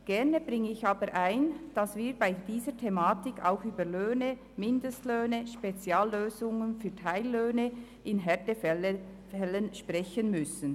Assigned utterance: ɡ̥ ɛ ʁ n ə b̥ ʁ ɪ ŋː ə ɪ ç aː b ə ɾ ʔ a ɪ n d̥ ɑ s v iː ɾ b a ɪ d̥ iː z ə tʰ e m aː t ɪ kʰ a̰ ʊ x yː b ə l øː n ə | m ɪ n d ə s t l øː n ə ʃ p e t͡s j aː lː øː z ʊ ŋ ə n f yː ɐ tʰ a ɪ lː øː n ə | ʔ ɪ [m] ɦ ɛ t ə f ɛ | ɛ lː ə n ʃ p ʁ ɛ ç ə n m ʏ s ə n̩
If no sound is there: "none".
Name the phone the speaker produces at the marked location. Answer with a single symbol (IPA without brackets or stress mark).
n